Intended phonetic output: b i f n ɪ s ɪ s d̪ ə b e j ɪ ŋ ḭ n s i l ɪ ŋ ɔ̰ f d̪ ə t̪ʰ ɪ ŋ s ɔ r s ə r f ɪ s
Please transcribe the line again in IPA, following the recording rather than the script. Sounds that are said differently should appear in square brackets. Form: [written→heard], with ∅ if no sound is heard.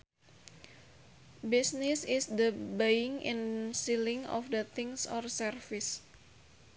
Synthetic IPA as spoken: b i [f→s] n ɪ s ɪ s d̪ ə b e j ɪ ŋ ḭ n s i l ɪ ŋ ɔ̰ f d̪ ə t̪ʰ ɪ ŋ s ɔ r s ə r f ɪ s